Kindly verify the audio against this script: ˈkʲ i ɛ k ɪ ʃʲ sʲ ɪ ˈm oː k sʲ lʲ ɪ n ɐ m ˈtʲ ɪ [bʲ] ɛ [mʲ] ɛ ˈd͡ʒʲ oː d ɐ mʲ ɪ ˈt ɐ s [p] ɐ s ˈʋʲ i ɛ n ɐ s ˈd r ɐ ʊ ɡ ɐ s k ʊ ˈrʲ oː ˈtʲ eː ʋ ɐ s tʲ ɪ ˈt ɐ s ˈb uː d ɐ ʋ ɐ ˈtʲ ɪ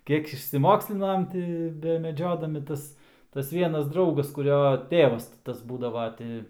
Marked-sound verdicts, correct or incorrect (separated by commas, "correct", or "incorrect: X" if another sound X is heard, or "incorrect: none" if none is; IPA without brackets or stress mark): correct, correct, incorrect: t